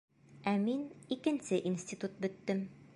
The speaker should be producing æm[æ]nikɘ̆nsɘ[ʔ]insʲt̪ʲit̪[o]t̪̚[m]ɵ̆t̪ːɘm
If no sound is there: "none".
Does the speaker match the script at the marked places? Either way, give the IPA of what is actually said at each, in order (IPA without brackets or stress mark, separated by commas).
i, ʔ, u, b